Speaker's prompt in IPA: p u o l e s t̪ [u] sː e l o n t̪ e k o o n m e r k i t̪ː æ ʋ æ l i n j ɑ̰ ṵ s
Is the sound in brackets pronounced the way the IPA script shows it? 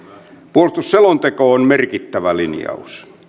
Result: yes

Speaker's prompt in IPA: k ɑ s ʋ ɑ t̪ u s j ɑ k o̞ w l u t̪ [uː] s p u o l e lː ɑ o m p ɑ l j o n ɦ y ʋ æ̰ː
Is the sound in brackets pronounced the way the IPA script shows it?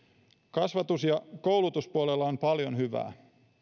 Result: no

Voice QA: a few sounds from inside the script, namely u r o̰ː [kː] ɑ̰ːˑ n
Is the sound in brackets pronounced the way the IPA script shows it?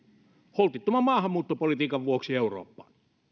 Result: no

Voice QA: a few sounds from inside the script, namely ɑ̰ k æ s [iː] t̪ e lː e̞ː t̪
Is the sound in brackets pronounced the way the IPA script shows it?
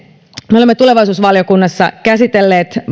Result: no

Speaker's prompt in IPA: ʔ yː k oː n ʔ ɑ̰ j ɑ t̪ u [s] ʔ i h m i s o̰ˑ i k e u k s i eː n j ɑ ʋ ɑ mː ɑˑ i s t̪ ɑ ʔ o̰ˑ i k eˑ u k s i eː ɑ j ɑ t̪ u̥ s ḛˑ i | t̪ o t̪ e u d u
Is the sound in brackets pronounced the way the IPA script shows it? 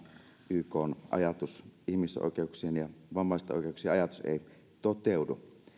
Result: yes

